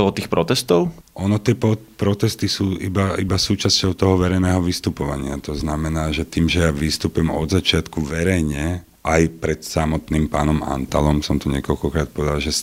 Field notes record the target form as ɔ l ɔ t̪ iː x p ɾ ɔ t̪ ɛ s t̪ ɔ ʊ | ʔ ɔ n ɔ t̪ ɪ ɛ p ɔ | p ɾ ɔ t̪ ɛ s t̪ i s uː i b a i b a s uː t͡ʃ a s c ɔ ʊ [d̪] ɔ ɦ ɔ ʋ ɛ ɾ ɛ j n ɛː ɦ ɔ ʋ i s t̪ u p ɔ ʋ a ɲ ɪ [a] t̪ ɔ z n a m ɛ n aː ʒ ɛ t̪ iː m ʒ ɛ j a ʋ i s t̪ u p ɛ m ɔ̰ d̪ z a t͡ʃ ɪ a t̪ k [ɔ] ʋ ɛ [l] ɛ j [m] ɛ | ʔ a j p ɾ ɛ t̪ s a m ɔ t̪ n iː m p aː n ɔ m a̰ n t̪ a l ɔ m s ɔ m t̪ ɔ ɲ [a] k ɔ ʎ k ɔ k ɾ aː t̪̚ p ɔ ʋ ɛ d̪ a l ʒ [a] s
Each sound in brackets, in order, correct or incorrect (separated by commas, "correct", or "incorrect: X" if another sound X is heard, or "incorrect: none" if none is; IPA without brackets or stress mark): incorrect: t̪, correct, incorrect: u, incorrect: ɾ, incorrect: ɲ, incorrect: ɛ, incorrect: ɛ